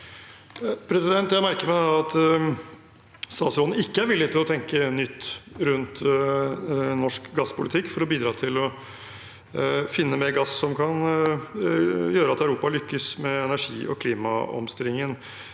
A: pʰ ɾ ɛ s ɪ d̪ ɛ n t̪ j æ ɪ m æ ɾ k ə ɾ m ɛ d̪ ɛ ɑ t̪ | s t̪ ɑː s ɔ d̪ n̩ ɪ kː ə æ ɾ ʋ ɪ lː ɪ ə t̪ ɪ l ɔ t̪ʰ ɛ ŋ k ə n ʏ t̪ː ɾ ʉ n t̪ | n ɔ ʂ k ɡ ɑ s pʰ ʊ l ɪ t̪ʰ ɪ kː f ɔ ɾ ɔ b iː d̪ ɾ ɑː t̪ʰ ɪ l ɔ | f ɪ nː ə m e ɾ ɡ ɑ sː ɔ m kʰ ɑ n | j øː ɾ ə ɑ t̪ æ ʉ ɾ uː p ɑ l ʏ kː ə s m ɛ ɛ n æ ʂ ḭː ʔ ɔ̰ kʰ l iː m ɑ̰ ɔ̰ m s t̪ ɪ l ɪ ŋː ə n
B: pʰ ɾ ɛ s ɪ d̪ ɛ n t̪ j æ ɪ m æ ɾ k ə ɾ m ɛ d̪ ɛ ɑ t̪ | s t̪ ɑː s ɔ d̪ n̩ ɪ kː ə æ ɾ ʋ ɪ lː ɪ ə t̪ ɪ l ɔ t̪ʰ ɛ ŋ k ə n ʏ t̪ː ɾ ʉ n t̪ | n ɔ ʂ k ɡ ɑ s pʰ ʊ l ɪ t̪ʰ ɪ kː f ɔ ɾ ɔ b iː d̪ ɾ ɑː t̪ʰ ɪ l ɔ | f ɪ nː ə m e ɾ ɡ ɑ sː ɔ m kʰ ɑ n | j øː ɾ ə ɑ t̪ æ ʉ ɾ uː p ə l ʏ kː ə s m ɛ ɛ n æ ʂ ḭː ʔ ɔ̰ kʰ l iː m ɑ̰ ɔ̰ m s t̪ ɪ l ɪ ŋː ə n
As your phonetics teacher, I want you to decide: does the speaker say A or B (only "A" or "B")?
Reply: A